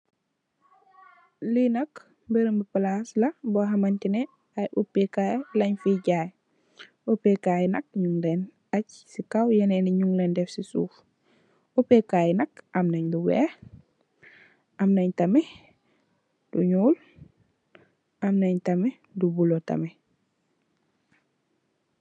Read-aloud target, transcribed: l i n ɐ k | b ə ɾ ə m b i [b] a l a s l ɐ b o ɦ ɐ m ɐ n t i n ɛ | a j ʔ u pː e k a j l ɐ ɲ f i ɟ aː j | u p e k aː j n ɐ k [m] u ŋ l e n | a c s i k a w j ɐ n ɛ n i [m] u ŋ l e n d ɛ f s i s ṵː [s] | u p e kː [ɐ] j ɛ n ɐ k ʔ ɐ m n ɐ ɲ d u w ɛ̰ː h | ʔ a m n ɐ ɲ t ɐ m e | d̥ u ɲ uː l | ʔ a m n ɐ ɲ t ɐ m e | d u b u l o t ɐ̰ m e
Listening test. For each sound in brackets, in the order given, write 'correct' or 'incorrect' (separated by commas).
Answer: incorrect, incorrect, incorrect, incorrect, incorrect